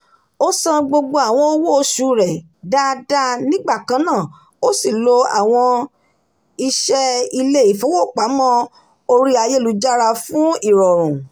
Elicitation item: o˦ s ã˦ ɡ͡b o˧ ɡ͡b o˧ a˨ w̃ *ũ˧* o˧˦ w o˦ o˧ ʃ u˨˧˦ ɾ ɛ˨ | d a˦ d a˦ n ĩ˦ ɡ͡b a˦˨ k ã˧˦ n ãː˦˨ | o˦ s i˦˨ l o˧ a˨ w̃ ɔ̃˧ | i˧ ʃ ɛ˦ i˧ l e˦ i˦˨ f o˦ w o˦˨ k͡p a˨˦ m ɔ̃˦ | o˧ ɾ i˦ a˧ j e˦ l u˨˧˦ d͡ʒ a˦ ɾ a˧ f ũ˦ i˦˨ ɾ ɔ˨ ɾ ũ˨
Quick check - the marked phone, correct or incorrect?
incorrect